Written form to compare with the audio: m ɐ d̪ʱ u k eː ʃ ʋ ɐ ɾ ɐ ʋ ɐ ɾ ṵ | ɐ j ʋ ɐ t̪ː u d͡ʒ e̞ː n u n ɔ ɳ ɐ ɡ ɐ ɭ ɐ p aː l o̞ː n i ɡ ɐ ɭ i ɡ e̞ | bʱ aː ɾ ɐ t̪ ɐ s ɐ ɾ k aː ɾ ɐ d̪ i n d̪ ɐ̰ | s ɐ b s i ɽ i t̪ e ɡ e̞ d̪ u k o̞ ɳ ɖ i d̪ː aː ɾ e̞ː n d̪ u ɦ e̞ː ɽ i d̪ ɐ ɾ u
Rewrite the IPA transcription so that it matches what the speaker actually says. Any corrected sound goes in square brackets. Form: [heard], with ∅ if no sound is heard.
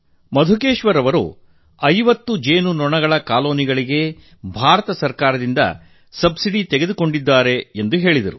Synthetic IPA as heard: m ɐ d̪ʱ u k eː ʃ ʋ ɐ ɾ ɐ ʋ ɐ ɾ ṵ | ɐ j ʋ ɐ t̪ː u d͡ʒ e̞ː n u n ɔ ɳ ɐ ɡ ɐ ɭ ɐ [k] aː l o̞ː n i ɡ ɐ ɭ i ɡ e̞ | bʱ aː ɾ ɐ t̪ ɐ s ɐ ɾ k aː ɾ ɐ d̪ i n d̪ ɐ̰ | s ɐ b s i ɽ i t̪ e ɡ e̞ d̪ u k o̞ ɳ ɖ i d̪ː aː ɾ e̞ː n d̪ u ɦ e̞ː [ɭ] i d̪ ɐ ɾ u